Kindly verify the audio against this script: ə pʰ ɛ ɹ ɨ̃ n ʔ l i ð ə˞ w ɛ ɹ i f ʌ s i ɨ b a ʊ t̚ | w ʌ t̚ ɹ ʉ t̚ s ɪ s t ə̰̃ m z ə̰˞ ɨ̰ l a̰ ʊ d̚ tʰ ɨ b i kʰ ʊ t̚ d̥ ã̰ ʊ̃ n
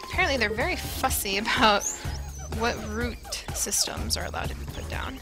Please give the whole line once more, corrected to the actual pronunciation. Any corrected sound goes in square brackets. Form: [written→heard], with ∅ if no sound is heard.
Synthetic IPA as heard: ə pʰ ɛ ɹ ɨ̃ n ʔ l i ð ə˞ [w→v] ɛ ɹ i f ʌ s i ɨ b a ʊ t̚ | w ʌ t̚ ɹ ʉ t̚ s ɪ s t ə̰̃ m z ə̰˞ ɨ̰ l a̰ ʊ d̚ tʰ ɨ b i [kʰ→pʰ] ʊ t̚ d̥ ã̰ ʊ̃ n